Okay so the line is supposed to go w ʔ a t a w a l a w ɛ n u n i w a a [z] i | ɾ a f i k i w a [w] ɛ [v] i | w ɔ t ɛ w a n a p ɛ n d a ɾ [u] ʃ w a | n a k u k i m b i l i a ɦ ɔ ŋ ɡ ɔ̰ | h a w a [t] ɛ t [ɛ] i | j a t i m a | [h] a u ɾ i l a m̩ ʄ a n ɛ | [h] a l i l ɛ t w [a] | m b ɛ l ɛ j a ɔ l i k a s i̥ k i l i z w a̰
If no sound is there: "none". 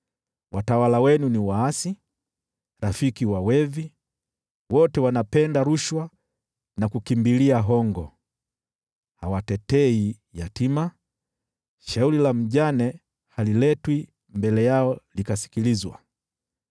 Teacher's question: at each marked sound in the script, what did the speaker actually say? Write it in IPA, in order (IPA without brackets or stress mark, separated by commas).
s, w, v, u, t, ɛ, ʃ, h, i